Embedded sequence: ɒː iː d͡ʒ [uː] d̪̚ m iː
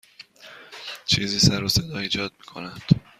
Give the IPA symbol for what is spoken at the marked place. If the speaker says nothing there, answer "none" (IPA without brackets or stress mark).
ɒː